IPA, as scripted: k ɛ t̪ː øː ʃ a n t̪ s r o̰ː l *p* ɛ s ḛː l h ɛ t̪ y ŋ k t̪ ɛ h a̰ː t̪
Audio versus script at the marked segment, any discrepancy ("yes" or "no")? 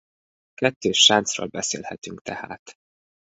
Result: yes